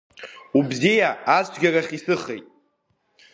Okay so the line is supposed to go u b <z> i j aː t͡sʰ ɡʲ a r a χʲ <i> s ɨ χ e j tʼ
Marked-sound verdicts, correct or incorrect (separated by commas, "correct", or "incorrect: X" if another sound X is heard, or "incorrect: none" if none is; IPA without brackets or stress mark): correct, correct